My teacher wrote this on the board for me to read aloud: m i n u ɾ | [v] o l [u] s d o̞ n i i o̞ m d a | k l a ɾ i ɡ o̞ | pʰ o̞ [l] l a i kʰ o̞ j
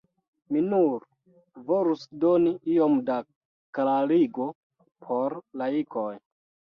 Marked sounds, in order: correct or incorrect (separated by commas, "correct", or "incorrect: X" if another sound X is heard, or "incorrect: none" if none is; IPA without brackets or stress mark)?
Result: correct, correct, incorrect: ɾ